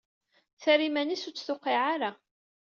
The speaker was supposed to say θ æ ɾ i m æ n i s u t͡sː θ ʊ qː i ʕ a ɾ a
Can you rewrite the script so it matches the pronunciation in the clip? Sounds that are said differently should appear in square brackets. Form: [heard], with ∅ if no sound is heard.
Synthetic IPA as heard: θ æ ɾ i m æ n i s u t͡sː θ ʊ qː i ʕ a ɾ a